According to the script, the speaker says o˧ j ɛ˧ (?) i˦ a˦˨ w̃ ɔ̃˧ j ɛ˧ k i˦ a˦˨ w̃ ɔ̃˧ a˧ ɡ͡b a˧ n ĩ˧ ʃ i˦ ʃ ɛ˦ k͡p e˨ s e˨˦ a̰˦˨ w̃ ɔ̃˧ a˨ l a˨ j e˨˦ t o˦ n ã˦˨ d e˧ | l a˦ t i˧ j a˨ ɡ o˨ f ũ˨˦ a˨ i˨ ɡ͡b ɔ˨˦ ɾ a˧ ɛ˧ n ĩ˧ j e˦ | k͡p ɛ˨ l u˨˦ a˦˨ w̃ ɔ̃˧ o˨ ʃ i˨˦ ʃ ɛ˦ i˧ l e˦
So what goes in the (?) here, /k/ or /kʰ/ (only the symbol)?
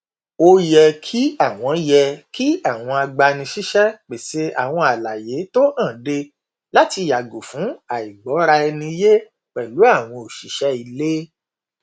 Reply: kʰ